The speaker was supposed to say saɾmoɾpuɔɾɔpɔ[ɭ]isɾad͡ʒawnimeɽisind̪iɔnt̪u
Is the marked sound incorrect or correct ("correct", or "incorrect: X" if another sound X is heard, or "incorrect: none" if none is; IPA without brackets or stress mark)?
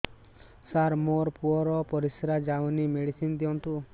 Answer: incorrect: ɾ